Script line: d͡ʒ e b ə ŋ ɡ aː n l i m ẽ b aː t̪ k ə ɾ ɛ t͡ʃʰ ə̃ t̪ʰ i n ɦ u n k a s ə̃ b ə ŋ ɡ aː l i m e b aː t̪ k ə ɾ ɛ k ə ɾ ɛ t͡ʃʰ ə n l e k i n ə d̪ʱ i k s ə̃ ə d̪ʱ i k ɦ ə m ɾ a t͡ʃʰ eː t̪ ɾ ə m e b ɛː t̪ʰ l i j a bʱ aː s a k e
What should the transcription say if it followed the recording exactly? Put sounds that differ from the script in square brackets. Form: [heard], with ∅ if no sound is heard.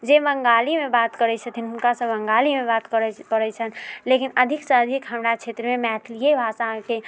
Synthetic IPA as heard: d͡ʒ e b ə ŋ ɡ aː [∅] l i m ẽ b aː t̪ k ə ɾ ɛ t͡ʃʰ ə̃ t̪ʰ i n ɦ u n k a s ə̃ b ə ŋ ɡ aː l i m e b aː t̪ k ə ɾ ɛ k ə ɾ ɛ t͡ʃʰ ə n l e k i n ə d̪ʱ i k s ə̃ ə d̪ʱ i k ɦ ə m ɾ a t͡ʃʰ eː t̪ ɾ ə m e [m] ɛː t̪ʰ l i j [e] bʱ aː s a k e